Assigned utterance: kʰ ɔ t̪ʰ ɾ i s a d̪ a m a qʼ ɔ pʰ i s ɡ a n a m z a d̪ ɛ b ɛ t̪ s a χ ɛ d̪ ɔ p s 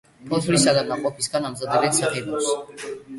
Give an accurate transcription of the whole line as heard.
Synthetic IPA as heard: pʰ ɔ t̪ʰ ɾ i s a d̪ a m a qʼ ɔ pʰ i s ɡ a n a m z a d̪ ɛ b ɛ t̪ s a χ ɛ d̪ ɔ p s